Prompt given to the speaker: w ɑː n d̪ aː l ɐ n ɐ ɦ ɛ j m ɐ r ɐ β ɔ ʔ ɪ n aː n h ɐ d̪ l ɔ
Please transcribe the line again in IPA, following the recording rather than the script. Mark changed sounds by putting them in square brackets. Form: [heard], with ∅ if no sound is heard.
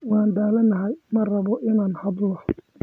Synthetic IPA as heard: w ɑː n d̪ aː l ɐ n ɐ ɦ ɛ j m ɐ r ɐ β ɔ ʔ ɪ n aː n h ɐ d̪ l ɔ